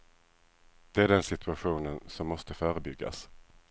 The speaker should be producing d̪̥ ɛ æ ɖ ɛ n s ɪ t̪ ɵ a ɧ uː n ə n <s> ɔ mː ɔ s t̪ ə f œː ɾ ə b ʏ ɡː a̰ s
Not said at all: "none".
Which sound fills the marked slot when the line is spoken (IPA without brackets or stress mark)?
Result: s